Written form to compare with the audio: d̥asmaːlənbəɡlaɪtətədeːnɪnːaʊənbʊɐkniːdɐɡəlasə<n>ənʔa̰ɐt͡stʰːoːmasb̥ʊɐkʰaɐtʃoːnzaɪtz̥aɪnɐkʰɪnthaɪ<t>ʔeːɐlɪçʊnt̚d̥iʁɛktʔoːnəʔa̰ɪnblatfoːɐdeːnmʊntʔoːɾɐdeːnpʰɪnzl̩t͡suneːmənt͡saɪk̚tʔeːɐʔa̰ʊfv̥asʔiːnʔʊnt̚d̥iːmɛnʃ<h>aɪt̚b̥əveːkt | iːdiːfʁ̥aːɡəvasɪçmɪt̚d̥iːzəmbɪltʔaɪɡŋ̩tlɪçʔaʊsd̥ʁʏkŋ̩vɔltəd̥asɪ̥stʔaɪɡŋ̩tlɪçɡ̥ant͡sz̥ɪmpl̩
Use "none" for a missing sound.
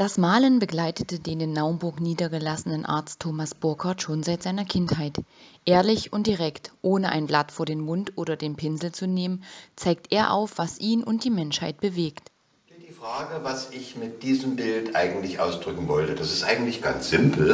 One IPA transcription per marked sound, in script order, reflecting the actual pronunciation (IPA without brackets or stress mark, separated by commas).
n, t, h